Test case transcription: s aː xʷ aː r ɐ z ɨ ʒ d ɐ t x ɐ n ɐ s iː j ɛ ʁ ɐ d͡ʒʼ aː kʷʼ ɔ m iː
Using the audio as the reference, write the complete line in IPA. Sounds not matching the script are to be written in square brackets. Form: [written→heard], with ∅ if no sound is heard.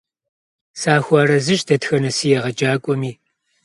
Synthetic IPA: s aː xʷ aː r ɐ z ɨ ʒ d ɐ t x ɐ n ɐ s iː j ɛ ʁ ɐ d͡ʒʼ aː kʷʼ ɔ m iː